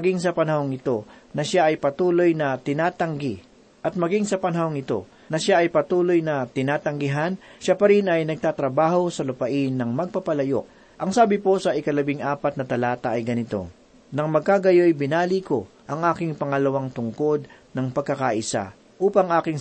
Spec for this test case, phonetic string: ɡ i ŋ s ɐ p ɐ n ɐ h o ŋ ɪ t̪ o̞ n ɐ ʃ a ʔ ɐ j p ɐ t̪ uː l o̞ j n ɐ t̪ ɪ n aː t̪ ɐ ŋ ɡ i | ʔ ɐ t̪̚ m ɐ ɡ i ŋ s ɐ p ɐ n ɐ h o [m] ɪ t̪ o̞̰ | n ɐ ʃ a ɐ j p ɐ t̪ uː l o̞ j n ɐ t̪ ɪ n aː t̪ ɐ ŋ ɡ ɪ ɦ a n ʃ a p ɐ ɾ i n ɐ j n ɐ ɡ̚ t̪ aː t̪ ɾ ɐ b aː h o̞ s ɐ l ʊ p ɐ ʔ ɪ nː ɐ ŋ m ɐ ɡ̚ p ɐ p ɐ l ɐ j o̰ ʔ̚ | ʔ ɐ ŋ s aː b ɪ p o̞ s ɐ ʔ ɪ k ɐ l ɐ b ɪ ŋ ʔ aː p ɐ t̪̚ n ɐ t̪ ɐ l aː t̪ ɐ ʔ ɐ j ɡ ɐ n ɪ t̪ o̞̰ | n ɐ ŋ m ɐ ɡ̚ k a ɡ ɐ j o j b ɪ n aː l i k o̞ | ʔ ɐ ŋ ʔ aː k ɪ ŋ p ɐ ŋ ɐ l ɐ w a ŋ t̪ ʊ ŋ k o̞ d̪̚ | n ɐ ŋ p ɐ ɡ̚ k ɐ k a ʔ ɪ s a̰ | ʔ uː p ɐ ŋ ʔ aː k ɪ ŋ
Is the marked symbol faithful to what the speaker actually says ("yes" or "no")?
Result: no